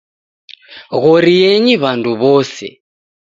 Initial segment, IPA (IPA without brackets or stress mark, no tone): ɣ